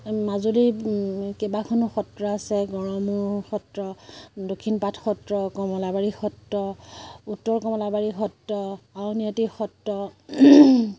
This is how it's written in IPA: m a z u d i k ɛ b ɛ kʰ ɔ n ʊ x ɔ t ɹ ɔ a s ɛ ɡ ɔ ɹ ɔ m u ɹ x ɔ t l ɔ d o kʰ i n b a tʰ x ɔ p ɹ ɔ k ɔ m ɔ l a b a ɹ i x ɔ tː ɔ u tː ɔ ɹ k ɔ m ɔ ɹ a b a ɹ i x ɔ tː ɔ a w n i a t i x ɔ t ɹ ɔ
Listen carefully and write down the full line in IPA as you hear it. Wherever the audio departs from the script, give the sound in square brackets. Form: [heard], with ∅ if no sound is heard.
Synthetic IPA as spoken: m a z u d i k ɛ b [a] kʰ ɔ n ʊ x ɔ t ɹ ɔ a s ɛ ɡ ɔ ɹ ɔ m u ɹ x ɔ t [ɹ] ɔ d o kʰ i n [p] a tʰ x ɔ [t] ɹ ɔ k ɔ m ɔ l a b a ɹ i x ɔ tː ɔ u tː ɔ ɹ k ɔ m ɔ [l] a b a ɹ i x ɔ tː ɔ a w n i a t i x ɔ t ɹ ɔ